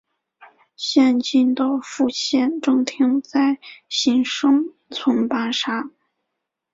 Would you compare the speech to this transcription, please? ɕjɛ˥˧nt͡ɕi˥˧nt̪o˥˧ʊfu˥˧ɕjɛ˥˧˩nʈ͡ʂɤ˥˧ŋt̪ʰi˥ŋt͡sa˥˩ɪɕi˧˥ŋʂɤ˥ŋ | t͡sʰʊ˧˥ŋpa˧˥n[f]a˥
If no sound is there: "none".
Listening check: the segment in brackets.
ʂ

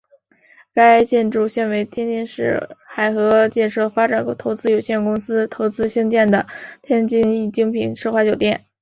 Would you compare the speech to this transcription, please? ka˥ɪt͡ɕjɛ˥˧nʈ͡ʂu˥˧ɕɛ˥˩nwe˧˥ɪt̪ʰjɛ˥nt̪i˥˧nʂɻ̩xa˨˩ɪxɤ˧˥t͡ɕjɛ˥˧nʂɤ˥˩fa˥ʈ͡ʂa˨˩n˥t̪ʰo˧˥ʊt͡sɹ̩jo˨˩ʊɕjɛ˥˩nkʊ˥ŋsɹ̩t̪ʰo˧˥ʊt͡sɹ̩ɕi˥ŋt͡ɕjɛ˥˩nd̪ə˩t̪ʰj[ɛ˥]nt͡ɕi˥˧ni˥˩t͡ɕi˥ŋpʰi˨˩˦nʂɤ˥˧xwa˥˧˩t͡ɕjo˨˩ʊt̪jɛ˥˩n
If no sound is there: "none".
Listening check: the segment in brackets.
ɛ˥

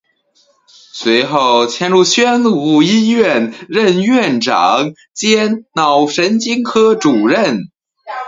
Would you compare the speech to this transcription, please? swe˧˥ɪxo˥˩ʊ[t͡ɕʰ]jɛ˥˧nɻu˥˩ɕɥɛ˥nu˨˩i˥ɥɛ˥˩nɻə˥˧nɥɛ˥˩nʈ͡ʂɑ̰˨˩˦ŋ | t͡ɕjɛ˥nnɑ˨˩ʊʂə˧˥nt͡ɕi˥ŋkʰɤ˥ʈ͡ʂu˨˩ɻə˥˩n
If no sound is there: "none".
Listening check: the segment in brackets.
t͡ɕʰ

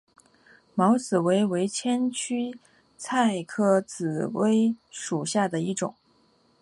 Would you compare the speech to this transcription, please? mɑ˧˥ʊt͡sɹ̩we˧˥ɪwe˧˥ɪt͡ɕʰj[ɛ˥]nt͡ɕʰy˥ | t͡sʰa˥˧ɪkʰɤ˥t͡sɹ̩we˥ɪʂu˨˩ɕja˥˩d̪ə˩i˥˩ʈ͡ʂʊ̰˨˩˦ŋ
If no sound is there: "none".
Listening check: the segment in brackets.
ɛ˥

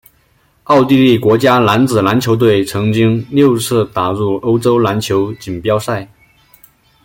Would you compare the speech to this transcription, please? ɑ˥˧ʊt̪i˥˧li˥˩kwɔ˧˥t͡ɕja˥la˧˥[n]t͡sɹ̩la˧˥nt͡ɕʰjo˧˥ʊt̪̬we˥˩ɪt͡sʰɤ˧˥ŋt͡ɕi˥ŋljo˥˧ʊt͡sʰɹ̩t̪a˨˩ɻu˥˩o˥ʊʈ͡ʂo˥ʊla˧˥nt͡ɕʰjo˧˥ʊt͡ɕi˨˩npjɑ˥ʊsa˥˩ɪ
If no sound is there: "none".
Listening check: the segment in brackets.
n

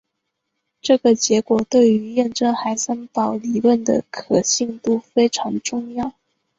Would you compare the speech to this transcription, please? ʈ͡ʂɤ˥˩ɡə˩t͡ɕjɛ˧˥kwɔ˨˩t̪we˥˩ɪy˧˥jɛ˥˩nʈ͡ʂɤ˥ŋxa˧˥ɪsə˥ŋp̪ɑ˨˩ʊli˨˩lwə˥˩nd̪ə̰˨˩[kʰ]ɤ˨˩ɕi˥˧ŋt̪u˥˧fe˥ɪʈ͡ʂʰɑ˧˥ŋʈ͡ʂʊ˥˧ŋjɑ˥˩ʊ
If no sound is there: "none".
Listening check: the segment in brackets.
kʰ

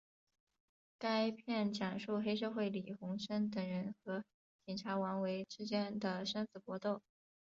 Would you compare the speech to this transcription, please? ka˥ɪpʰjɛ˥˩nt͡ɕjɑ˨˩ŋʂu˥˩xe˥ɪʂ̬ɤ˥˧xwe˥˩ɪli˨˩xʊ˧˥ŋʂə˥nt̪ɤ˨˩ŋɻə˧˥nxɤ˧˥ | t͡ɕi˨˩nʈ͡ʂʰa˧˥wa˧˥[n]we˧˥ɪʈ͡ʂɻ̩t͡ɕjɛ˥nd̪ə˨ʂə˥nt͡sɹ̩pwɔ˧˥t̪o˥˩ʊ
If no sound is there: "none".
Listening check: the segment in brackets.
n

